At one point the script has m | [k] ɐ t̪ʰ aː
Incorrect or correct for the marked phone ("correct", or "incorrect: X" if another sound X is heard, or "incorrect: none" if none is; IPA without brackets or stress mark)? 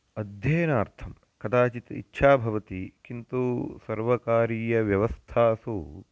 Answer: correct